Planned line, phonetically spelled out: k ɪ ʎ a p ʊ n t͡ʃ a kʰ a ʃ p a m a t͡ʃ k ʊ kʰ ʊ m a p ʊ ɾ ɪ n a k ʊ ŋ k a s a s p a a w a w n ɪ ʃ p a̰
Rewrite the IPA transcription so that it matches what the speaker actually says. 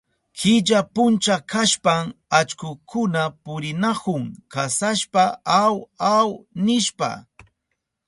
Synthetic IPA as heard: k ɪ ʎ a p ʊ n t͡ʃ a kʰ a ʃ p a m a t͡ʃ k ʊ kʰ ʊ n a p ʊ ɾ ɪ n a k ʊ ŋ k a s a ʃ p a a w a w n ɪ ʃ p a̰